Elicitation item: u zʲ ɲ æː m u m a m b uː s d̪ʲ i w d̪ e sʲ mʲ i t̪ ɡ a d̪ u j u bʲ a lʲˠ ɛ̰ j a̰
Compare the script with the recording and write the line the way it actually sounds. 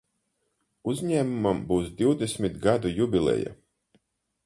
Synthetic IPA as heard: u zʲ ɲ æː m u m a m b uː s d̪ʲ i w d̪ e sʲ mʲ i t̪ ɡ a d̪ u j u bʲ i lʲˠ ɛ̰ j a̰